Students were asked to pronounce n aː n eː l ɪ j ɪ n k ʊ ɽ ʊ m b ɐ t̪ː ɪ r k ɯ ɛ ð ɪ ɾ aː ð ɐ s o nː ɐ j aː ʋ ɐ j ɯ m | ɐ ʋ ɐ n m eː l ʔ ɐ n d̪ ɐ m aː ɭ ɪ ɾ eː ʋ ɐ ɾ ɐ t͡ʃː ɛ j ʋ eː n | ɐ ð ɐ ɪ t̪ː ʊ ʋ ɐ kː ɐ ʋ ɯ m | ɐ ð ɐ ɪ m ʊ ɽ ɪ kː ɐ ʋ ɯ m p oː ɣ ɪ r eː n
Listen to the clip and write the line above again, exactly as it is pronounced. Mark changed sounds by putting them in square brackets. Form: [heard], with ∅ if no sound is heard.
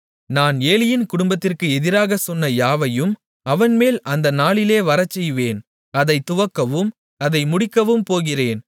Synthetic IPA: n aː n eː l ɪ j ɪ n k ʊ ɽ ʊ m b ɐ t̪ː ɪ r k ɯ ɛ ð ɪ ɾ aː [ɣ] ɐ s [ɔ] nː ɐ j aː ʋ ɐ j ɯ m | ɐ ʋ ɐ n m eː l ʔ ɐ n d̪ ɐ [n] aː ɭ ɪ [l] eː ʋ ɐ ɾ ɐ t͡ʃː ɛ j ʋ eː n | ɐ ð ɐ ɪ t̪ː ʊ ʋ ɐ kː ɐ ʋ ɯ m | ɐ ð ɐ ɪ m ʊ ɽ ɪ kː ɐ ʋ ɯ m p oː ɣ ɪ r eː n